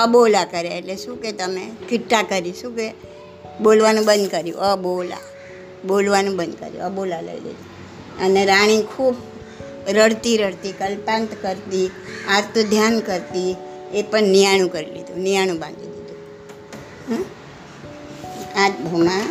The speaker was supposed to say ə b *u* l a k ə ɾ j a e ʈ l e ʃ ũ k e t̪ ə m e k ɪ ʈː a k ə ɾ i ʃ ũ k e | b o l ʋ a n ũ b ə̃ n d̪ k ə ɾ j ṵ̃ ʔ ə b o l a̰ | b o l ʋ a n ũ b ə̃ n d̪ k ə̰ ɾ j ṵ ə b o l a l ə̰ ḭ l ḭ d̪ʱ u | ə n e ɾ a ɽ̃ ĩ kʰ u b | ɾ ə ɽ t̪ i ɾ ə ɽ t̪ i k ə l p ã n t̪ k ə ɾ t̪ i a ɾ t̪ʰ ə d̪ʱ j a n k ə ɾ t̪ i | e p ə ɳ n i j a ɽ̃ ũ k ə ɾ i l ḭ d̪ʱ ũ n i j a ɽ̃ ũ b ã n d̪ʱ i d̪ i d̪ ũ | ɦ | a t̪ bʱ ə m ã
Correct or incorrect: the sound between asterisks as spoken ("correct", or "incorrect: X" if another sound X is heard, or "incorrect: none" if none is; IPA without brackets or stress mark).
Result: incorrect: o